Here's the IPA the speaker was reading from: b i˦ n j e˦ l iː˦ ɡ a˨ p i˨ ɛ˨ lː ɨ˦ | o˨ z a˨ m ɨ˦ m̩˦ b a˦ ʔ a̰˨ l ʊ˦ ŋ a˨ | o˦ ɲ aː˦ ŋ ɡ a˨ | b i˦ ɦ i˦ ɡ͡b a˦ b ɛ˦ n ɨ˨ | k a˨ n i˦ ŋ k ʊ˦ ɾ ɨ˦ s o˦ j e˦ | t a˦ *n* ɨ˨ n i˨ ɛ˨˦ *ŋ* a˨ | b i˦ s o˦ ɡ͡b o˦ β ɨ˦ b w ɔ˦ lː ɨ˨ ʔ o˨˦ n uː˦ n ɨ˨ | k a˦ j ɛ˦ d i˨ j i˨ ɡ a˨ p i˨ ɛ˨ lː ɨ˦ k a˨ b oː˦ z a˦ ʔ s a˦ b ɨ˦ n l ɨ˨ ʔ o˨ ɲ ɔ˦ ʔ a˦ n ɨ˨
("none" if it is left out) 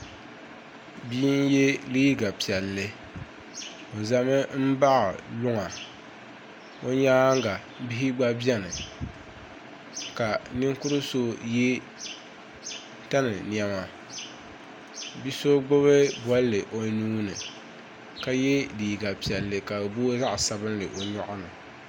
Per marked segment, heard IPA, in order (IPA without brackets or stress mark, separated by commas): n, m